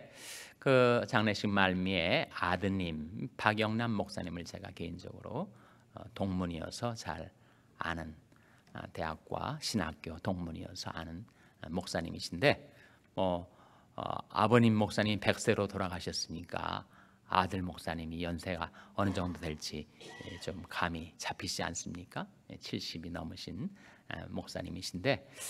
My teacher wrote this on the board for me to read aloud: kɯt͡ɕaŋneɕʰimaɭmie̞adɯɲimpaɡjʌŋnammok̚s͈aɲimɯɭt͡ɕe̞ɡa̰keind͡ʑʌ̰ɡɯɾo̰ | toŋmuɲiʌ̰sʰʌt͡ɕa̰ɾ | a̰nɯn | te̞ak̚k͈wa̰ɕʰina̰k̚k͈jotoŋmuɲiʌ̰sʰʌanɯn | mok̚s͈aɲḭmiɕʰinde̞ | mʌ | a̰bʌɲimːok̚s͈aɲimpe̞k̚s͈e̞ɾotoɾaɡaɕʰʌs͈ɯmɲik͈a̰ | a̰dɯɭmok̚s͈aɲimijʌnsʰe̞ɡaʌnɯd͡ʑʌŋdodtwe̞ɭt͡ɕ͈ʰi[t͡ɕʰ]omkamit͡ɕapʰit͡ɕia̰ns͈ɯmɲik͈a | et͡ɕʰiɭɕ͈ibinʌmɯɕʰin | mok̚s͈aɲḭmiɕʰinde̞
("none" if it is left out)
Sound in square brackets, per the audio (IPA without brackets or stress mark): t͡ɕ